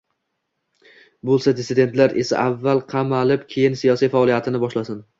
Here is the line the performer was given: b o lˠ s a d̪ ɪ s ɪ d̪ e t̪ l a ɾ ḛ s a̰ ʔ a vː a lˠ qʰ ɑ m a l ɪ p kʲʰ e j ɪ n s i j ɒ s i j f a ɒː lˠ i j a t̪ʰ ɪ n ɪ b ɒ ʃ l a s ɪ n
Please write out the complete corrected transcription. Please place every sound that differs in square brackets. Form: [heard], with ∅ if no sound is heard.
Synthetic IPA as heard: b o lˠ s a d̪ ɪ s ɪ d̪ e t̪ l a ɾ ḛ s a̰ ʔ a vː a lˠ qʰ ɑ m a l ɪ p kʲʰ e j ɪ n s i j ɒ s i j f a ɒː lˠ i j a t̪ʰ ɪ n ɪ b ɒ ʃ l a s ɪ n